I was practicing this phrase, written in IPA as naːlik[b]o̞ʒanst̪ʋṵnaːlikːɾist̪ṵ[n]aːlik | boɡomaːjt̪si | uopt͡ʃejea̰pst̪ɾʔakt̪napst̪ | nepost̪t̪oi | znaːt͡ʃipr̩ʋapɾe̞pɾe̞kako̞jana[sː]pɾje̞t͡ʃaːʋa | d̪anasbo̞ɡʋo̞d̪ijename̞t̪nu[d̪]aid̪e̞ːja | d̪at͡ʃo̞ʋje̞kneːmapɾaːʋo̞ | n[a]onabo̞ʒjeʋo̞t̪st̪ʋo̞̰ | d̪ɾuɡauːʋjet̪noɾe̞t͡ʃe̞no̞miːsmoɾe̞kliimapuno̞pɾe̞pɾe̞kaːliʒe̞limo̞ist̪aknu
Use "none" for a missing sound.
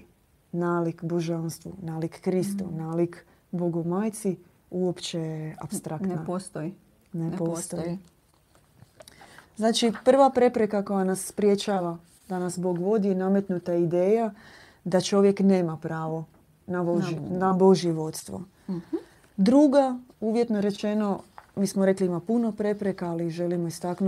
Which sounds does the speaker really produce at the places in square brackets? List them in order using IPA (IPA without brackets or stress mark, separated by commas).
b, n, sː, t̪, a